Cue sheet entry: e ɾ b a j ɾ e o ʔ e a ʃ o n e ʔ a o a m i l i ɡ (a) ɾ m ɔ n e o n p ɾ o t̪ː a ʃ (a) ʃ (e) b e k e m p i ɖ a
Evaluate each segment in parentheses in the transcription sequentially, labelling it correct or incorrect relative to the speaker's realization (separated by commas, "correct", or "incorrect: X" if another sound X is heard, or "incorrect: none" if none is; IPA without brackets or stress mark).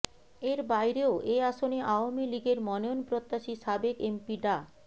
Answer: incorrect: e, incorrect: i, incorrect: a